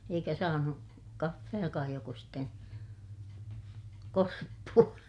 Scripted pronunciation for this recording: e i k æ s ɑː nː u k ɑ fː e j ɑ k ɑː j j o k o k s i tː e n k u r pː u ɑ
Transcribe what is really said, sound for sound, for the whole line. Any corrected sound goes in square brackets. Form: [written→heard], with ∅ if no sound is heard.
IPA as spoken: e i k æ s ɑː [nː→n] u k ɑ fː e j ɑ k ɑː j j o k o [k→∅] s i tː e n k [u→o] r pː u ɑ